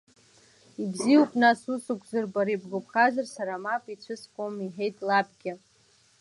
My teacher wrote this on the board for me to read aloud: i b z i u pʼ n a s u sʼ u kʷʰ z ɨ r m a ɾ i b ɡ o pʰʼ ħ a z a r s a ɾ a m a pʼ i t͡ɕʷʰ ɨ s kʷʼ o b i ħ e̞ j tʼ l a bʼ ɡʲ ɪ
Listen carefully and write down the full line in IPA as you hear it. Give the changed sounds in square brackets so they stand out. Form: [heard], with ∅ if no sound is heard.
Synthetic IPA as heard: i b z i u pʼ n a s u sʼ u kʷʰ z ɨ r [b] a ɾ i b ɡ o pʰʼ [χ] a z a r s a ɾ a m a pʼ i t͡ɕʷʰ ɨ s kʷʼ o [m] i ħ e̞ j tʼ l a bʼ ɡʲ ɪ